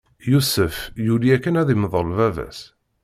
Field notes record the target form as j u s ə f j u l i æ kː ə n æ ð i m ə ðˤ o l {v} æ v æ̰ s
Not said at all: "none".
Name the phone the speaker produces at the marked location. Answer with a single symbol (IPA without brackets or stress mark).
v